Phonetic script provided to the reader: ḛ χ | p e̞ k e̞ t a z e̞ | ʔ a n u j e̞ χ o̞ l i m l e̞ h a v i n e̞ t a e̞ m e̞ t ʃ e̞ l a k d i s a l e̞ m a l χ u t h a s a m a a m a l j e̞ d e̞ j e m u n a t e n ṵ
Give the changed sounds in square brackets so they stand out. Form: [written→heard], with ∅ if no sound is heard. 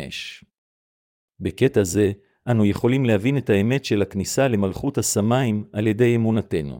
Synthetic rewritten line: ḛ [χ→ʃ] | [p→b] e̞ k e̞ t a z e̞ | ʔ a n u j e̞ χ o̞ l i m l e̞ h a v i n e̞ t a e̞ m e̞ t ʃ e̞ l a k [d→n] i s a l e̞ m a l χ u t h a s a m a [a→i] m a l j e̞ d e̞ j e m u n a t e n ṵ